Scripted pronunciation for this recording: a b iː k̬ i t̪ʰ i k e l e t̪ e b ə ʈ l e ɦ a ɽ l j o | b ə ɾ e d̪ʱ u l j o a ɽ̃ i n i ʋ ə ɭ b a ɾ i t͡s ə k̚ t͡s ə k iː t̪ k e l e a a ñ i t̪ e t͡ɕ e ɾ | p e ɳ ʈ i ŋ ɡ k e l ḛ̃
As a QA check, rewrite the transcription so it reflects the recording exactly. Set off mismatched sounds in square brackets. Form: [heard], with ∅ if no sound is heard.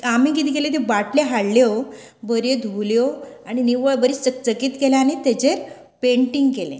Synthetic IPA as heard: a [m] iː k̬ i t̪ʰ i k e l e t̪ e b [a] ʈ l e ɦ a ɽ l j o | b ə ɾ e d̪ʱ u l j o a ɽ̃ i n i ʋ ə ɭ b [ə] ɾ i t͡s ə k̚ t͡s ə k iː t̪ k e l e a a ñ i t̪ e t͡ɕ e ɾ | p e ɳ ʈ i ŋ ɡ k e l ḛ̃